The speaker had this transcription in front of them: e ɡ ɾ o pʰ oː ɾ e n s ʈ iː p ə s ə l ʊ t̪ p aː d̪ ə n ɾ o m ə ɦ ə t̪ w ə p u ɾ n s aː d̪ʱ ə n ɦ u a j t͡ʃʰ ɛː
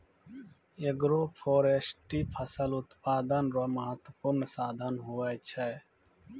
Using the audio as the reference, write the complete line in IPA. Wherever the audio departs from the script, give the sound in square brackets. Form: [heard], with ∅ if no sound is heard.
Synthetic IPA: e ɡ ɾ o pʰ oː ɾ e [∅] s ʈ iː [pʰ] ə s ə l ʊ t̪ p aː d̪ ə n ɾ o m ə ɦ ə t̪ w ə p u ɾ n s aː d̪ʱ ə n ɦ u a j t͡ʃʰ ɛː